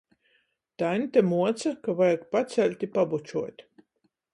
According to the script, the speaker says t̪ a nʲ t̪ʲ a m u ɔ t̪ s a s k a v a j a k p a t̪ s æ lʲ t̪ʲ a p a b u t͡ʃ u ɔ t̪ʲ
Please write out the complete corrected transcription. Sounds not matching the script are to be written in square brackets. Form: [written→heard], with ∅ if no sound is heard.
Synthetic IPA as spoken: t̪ a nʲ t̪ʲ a m u ɔ t̪ s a [s→∅] k a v a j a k p a t̪ s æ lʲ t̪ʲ [a→i] p a b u t͡ʃ u ɔ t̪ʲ